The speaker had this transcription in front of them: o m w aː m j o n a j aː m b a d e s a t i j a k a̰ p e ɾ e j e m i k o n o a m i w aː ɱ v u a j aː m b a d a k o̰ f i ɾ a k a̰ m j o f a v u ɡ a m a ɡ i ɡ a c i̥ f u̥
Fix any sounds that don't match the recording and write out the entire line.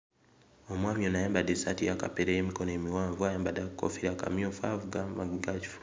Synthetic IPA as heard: o m w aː m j o n a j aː m b a d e s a t i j a k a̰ p e ɾ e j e m i k o n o e m i w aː ɱ v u a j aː m b a d a k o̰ f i ɾ a k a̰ m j o f a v u ɡ a m a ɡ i ɡ a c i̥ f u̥